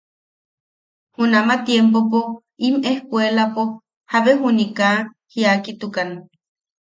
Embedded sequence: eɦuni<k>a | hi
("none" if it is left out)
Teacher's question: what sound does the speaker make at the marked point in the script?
k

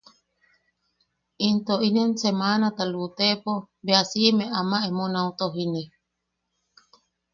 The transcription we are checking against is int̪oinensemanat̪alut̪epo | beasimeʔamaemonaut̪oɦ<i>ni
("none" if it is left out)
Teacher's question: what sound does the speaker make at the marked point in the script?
i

